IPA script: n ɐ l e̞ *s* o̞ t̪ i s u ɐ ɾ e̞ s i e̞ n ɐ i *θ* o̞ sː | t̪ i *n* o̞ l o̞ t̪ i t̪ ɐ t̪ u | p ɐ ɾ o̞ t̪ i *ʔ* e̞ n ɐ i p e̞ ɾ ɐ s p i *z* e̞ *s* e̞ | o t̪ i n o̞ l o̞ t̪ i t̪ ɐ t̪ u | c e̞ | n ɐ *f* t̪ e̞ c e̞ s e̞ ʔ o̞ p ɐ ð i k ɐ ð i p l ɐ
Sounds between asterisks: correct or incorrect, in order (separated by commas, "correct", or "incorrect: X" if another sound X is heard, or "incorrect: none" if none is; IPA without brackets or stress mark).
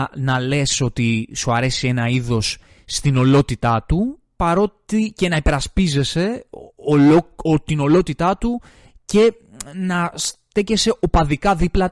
correct, incorrect: ð, correct, incorrect: c, correct, correct, incorrect: s